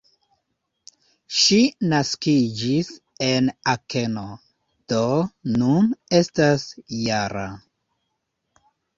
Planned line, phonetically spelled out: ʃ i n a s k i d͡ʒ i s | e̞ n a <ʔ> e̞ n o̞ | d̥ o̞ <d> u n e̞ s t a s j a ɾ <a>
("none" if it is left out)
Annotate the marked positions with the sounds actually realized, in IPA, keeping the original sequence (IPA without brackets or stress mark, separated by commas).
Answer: k, n, a